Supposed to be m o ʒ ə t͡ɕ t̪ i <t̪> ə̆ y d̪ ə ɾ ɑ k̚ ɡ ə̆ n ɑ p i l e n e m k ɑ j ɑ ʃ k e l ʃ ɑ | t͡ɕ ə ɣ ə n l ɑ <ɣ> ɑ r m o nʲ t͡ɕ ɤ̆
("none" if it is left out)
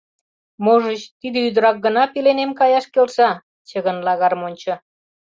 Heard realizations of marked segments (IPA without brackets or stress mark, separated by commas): d̪, ɣ